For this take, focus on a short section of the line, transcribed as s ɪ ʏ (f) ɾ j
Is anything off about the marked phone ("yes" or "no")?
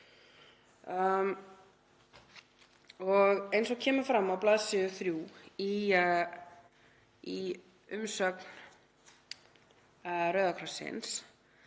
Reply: yes